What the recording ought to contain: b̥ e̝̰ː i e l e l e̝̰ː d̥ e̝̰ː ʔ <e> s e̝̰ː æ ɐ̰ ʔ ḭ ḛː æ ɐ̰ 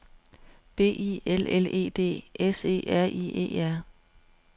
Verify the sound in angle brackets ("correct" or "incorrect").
correct